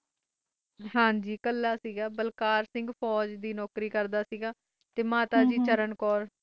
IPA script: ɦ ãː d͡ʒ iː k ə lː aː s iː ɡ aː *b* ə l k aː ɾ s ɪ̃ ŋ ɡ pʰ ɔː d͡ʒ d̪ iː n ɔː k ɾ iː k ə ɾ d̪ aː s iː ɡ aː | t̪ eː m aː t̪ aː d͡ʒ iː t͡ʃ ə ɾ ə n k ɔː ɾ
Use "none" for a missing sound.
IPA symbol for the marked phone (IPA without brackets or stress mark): b